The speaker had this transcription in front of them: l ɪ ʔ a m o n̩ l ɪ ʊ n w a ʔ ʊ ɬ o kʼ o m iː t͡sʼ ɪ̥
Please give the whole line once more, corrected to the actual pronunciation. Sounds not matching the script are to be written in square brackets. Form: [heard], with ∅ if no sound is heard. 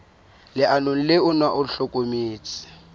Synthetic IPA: l ɪ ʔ a [n] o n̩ l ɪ ʊ n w a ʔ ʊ ɬ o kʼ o m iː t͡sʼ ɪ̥